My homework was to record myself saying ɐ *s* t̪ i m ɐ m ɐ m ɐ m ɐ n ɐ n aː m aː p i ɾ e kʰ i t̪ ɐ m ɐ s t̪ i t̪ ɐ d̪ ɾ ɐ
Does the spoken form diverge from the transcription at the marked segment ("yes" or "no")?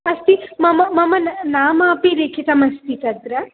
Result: no